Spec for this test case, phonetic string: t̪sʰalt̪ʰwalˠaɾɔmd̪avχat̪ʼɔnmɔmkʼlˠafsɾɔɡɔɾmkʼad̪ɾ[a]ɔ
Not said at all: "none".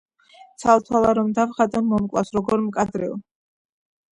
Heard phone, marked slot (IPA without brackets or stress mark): ɛ